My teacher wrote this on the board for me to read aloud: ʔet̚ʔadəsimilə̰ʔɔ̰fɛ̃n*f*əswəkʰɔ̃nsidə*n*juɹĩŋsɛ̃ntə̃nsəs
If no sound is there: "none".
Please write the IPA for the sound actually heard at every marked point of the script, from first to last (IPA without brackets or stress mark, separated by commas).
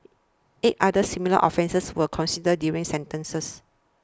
s, d